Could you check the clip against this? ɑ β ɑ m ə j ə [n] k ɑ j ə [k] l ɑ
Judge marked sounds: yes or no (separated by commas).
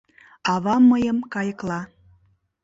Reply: no, yes